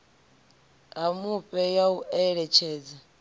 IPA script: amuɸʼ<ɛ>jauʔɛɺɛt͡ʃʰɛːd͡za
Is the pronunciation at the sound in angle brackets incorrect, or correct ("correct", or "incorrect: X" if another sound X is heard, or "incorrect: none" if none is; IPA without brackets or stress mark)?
correct